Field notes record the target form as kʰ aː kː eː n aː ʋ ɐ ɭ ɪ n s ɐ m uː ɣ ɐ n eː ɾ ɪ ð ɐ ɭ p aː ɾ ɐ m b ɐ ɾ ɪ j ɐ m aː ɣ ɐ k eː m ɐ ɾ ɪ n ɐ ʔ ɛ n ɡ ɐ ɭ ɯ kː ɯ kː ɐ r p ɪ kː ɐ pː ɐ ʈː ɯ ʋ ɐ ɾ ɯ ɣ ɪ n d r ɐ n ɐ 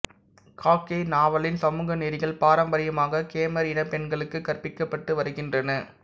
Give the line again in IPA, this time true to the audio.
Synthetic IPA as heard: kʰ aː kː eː n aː ʋ ɐ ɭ ɪ n s ɐ m uː ɣ ɐ n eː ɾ ɪ ɣ ɐ ɭ p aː ɾ ɐ m b ɐ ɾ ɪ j ɐ m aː ɣ ɐ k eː m ɐ ɾ ɪ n ɐ p ɛ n ɡ ɐ ɭ ɯ kː ɯ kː ɐ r p ɪ kː ɐ pː ɐ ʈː ɯ ʋ ɐ ɾ ɯ ɣ ɪ n d r ɐ n ɐ